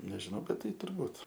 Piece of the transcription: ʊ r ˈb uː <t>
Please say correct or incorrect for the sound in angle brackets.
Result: correct